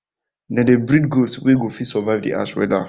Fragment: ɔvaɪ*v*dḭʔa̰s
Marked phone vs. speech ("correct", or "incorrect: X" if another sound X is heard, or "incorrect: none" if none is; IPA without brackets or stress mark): correct